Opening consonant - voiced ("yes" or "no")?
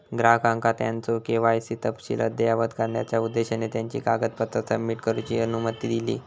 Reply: yes